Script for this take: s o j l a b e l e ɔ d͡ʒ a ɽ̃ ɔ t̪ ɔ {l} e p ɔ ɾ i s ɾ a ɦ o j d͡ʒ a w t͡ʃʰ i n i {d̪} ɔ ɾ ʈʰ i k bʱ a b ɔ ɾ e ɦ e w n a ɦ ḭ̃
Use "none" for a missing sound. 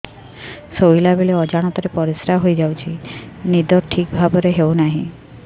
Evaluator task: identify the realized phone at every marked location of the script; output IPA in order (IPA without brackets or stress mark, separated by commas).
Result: ɾ, d̪